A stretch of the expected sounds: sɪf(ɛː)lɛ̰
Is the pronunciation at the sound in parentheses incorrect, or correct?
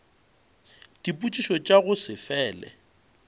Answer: correct